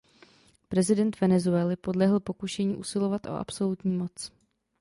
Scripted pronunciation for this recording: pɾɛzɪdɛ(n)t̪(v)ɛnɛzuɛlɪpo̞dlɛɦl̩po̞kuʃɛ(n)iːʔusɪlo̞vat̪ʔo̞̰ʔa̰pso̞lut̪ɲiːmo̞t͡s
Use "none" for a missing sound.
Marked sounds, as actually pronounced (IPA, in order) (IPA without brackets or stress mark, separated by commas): n, v, ɲ